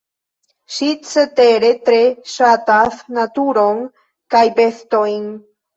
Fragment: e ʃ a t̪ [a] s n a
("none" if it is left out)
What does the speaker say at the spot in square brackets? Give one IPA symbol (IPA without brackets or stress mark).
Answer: a